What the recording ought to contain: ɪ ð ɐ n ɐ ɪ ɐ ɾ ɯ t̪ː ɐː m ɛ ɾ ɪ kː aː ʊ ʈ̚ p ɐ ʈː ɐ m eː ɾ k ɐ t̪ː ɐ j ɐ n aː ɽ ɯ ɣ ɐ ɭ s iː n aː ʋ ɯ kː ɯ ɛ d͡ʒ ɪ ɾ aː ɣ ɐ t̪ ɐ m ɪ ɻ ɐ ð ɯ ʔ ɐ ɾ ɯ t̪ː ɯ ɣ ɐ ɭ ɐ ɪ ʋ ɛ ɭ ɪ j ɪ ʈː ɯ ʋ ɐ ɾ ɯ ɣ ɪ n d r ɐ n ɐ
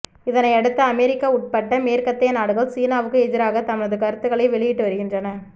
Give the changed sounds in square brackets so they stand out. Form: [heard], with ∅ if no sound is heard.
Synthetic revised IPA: ɪ ð ɐ n ɐ ɪ ɐ [ɽ] ɯ t̪ː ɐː m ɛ ɾ ɪ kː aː ʊ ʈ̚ p ɐ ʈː ɐ m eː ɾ k ɐ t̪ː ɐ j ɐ n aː ɽ ɯ ɣ ɐ ɭ s iː n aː ʋ ɯ kː ɯ ɛ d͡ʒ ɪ ɾ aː ɣ ɐ t̪ ɐ m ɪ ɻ ɐ ð ɯ [k] ɐ ɾ ɯ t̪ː ɯ ɣ ɐ ɭ ɐ ɪ ʋ ɛ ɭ ɪ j ɪ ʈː ɯ ʋ ɐ ɾ ɯ ɣ ɪ n d r ɐ n ɐ